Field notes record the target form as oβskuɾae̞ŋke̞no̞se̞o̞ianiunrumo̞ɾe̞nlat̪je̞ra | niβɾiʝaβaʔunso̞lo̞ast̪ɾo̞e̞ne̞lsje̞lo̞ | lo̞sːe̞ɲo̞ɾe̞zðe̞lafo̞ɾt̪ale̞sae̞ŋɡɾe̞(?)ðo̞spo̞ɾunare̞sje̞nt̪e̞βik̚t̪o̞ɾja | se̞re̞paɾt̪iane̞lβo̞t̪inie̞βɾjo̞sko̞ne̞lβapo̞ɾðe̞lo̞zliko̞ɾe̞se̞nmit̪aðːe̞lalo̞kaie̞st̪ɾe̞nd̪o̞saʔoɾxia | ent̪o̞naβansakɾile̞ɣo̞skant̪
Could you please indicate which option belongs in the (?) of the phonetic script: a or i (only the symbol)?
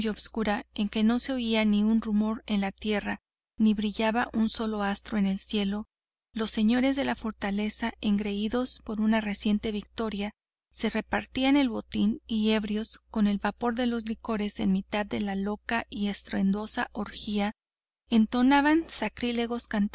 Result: i